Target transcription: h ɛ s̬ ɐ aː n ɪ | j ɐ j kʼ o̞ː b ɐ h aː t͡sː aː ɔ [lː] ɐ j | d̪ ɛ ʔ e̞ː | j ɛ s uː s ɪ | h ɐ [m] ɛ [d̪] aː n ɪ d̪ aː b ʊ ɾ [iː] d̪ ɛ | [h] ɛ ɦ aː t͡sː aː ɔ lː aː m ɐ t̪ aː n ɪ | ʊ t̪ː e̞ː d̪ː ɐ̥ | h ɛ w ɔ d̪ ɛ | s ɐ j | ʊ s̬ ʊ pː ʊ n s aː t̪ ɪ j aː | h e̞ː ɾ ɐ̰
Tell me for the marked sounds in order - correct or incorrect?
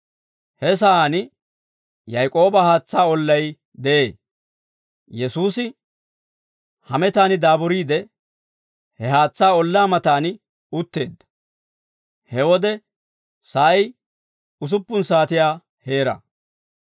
correct, correct, incorrect, correct, correct

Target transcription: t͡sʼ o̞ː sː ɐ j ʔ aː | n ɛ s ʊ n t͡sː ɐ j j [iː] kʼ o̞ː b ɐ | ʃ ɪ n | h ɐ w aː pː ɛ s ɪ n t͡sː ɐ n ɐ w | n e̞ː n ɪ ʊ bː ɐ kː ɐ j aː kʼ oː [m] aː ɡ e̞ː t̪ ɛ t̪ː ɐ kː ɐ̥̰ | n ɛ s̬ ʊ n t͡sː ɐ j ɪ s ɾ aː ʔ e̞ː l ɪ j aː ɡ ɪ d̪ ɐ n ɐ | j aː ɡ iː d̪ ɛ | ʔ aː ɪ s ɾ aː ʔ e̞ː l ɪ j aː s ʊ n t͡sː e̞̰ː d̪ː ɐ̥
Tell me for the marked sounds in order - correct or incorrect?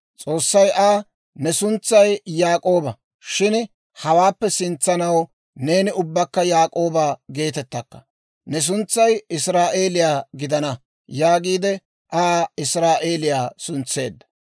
incorrect, incorrect

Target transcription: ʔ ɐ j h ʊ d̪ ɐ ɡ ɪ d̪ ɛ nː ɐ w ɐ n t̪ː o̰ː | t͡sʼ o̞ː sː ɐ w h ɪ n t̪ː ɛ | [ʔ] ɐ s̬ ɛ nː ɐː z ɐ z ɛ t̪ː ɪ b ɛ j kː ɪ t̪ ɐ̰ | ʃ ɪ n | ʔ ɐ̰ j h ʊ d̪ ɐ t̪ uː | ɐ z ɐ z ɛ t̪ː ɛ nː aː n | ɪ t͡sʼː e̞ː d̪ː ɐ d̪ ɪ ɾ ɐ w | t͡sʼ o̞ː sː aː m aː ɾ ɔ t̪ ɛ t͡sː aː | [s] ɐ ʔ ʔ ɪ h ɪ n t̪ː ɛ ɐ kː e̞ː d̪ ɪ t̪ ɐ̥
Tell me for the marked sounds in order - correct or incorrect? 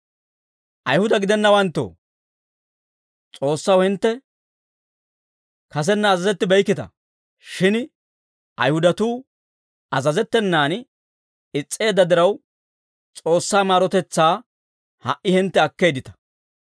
incorrect, incorrect

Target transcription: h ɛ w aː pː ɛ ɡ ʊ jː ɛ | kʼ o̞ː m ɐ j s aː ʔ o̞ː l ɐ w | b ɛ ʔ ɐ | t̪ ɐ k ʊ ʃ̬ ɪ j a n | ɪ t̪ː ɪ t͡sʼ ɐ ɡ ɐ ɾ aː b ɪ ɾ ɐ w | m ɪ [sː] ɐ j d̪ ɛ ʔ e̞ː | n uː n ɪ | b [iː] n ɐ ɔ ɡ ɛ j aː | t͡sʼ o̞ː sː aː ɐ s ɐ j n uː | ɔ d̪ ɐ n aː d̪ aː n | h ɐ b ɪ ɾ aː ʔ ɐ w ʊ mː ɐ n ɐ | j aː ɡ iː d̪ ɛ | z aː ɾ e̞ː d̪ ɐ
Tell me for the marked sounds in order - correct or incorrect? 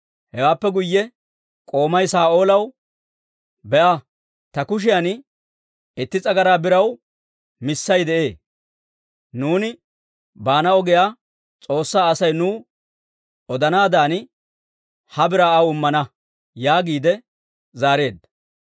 correct, incorrect

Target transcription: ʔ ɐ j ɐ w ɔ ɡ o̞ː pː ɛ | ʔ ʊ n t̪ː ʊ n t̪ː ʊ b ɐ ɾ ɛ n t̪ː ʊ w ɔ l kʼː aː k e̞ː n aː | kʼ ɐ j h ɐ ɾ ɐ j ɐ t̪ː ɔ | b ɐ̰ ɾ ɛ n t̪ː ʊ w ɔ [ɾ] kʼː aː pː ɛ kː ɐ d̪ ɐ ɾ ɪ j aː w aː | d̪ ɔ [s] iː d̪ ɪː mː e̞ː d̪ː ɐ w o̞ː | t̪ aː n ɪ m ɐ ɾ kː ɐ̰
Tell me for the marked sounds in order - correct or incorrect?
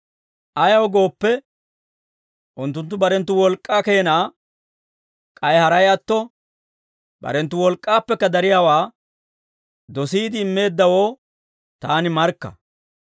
incorrect, correct

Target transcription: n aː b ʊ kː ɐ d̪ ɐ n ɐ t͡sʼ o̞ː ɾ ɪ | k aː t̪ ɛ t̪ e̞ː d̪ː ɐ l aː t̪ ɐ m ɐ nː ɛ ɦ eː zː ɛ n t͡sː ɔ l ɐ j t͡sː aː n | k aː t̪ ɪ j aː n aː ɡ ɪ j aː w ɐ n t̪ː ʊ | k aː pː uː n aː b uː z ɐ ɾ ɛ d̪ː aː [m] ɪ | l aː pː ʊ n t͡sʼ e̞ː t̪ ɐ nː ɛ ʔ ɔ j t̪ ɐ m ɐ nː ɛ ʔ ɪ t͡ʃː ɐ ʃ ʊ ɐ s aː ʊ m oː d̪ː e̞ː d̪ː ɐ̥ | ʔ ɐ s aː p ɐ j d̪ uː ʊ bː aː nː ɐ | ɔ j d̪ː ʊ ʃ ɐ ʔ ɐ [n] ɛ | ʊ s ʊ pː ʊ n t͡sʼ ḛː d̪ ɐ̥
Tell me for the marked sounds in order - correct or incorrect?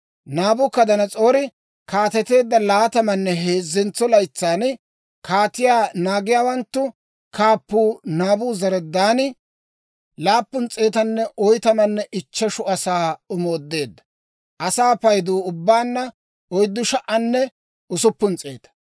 incorrect, incorrect

